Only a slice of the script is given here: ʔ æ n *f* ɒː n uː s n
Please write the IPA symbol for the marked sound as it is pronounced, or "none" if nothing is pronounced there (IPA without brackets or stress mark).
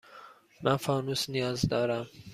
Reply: f